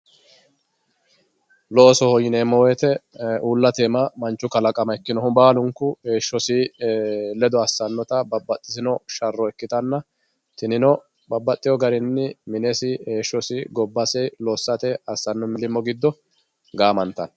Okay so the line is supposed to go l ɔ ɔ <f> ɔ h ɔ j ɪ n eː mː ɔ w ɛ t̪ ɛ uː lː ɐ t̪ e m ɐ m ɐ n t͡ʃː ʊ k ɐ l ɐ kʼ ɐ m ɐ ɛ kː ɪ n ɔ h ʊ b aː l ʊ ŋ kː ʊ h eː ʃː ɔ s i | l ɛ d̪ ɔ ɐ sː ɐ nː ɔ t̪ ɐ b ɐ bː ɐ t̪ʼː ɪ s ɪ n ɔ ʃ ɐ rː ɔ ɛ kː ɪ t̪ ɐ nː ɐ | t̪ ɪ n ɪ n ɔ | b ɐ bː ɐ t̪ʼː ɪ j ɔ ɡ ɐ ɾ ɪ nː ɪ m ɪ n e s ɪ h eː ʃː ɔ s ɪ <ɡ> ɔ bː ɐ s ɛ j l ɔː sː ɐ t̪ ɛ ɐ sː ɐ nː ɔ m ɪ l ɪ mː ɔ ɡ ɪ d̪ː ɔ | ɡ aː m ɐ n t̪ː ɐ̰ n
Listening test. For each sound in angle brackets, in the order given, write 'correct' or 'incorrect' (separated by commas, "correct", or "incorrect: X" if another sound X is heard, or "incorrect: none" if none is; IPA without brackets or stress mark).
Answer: incorrect: s, correct